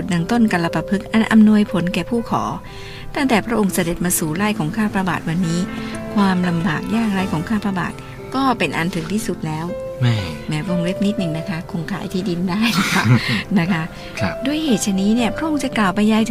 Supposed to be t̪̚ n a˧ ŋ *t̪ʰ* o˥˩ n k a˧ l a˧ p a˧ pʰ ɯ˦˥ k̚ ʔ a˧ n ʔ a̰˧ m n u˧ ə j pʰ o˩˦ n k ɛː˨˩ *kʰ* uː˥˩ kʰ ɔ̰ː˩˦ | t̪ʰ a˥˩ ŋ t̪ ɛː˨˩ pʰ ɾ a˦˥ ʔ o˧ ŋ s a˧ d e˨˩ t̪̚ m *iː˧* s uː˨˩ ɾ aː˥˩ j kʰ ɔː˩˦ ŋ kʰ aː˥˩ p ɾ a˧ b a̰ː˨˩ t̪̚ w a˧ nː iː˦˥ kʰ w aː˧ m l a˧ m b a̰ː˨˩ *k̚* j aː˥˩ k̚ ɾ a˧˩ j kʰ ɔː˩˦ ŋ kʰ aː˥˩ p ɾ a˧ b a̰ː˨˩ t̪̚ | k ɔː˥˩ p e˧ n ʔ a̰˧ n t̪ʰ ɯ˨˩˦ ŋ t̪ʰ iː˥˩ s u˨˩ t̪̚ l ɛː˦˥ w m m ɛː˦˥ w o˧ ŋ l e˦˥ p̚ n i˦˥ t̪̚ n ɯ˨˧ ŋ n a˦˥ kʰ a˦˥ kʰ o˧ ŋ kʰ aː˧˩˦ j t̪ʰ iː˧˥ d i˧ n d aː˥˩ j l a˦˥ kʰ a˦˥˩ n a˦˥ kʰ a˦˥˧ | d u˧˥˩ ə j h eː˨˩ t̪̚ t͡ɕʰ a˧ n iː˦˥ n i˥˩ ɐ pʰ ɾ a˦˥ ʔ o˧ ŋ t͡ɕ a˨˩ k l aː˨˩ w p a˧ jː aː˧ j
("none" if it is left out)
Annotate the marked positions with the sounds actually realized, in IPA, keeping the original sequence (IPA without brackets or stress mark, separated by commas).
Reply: t̪, pʰ, aː˧, k̚